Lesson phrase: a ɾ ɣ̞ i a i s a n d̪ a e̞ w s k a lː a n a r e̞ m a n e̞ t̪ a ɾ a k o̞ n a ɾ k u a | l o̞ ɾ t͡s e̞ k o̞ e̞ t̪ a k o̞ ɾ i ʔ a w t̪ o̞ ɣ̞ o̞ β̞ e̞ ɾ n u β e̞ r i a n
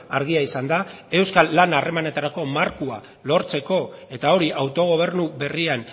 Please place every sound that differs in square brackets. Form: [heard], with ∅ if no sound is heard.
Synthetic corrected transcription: a ɾ ɣ̞ i a i s a n d̪ a e̞ w s k a lː a n a r e̞ m a n e̞ t̪ a ɾ a k o̞ [m] a ɾ k u a | l o̞ ɾ t͡s e̞ k o̞ e̞ t̪ a [∅] o̞ ɾ i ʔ a w t̪ o̞ ɣ̞ o̞ β̞ e̞ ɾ n u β e̞ r i a n